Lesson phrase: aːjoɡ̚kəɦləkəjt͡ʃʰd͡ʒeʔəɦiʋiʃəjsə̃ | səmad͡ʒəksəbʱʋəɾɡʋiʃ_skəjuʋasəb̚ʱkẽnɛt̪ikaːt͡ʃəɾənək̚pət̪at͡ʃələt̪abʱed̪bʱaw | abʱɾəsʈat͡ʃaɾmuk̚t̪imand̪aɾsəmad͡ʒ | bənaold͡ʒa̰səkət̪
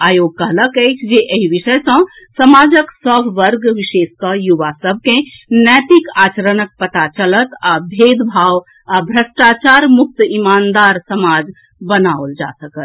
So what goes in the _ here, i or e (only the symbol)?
e